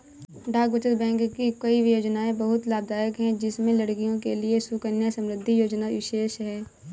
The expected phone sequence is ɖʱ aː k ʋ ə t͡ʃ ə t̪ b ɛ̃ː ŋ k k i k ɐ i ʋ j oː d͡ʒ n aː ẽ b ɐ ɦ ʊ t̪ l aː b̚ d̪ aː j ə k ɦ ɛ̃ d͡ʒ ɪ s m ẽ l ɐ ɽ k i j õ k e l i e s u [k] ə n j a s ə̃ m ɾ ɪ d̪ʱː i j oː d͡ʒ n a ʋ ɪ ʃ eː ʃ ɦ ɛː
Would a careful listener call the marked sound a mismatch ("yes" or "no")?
no